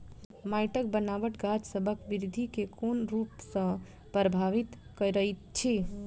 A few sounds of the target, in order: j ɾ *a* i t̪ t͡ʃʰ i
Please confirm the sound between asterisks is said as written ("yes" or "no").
no